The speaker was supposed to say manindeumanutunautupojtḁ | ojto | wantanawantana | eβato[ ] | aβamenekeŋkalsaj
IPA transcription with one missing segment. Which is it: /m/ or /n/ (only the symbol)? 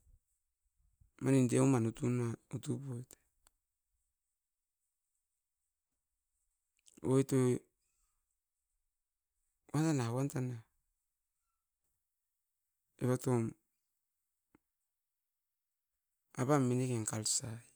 m